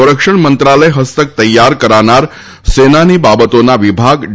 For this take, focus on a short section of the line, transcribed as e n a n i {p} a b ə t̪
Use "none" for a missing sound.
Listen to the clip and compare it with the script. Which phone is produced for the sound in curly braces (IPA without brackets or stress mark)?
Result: b